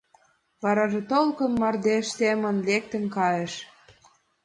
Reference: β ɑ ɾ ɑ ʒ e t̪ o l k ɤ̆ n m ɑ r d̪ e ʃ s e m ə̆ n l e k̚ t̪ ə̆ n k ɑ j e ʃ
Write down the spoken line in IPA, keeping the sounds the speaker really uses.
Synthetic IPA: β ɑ ɾ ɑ ʒ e t̪ o l k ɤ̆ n m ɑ r d̪ e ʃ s e m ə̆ n l e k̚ t̪ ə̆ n k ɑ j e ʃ